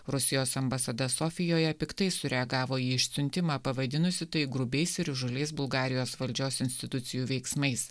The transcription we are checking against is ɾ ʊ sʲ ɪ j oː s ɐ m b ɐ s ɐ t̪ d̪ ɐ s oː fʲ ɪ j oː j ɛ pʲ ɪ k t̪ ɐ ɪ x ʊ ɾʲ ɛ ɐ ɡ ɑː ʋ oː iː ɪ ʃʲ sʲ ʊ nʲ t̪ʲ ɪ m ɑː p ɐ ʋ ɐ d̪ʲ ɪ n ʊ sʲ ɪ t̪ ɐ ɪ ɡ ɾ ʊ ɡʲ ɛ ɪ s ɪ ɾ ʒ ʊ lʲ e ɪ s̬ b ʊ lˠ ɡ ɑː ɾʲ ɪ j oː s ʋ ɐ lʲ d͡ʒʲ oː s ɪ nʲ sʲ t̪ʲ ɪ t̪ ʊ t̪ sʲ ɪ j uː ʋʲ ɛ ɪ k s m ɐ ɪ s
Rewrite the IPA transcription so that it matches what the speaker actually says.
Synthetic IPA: ɾ ʊ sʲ ɪ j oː s ɐ m b ɐ s ɐ d̪ ɐ s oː fʲ ɪ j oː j ɛ pʲ ɪ k t̪ ɐ ɪ s ʊ ɾʲ ɛ ɐ ɡ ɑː ʋ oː iː ɪ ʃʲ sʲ ʊ nʲ t̪ʲ ɪ m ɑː p ɐ ʋ ɐ d̪ʲ ɪ n ʊ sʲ ɪ t̪ ɐ ɪ ɡ ɾ ʊ bʲ ɛ ɪ s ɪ ɾ ʒ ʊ lʲ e ɪ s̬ b ʊ lˠ ɡ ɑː ɾʲ ɪ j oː s ʋ ɐ lʲ d͡ʒʲ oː s ɪ nʲ sʲ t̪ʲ ɪ t̪ ʊ t̪ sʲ ɪ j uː ʋʲ ɛ ɪ k s m ɐ ɪ s